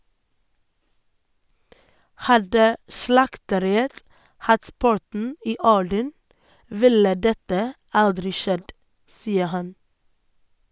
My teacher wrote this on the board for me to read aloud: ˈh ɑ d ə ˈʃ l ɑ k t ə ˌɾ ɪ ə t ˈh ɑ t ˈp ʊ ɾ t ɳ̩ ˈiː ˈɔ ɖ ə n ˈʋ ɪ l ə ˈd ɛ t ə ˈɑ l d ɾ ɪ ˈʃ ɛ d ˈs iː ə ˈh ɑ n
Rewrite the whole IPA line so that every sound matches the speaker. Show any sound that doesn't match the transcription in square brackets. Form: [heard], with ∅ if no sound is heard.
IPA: ˈh ɑ d ə ˈʃ l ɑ k t ə ˌɾ ɪ ə t ˈh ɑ t ˈp ʊ ɾ t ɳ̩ ˈiː ˈɔ ɖ ə n ˈʋ ɪ l ə ˈd ɛ t ə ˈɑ l d ɾ ɪ ˈʃ ɛ d ˈs iː ə ˈh ɑ n